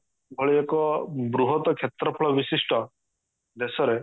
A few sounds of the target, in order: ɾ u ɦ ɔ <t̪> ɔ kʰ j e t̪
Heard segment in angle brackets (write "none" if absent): t̪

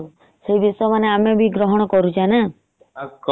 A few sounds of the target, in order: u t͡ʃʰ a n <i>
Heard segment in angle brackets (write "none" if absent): a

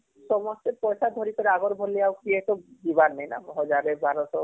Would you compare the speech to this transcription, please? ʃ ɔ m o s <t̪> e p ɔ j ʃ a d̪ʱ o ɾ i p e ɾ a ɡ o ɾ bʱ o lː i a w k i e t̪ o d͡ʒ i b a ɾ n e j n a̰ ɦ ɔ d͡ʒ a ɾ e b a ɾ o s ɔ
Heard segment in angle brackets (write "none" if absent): t̪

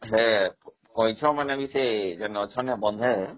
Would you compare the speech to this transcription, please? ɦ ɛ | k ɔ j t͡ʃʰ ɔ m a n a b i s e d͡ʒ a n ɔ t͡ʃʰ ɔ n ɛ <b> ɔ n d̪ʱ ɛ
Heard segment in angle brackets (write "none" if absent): b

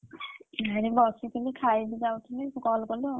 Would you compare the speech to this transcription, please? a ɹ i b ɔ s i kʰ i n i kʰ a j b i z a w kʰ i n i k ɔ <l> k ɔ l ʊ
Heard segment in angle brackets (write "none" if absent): l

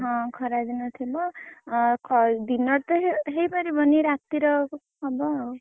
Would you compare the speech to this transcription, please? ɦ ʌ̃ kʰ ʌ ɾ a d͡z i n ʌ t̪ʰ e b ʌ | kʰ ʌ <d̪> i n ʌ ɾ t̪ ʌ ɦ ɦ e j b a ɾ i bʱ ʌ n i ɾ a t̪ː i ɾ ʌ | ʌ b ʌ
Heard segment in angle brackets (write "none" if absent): d̪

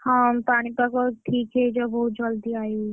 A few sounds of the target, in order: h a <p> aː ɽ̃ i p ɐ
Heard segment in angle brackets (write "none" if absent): p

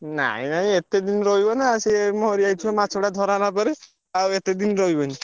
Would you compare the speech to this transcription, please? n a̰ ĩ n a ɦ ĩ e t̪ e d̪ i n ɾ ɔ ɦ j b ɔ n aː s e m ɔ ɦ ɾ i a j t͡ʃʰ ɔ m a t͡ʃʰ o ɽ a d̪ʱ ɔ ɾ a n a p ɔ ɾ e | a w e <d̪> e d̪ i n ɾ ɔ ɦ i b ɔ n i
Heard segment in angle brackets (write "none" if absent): t̪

